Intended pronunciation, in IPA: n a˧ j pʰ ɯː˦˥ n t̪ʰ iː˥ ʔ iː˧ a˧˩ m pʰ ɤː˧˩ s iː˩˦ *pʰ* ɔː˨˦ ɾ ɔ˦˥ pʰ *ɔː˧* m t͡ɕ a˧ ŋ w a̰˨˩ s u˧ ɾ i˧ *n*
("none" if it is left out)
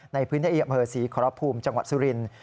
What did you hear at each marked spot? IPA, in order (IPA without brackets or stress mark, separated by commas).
kʰ, uː˧, n